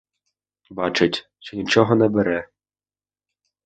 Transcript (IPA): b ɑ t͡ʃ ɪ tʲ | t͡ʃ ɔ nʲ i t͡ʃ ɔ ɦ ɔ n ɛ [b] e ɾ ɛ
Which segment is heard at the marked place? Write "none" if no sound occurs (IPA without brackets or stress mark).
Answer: b